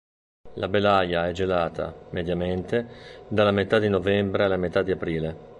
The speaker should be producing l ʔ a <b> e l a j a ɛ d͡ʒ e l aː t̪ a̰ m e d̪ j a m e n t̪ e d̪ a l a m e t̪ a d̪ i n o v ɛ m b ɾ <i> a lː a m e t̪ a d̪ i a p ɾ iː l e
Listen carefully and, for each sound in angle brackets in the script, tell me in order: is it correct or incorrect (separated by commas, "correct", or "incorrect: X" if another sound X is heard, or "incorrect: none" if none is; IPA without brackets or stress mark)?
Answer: correct, incorrect: e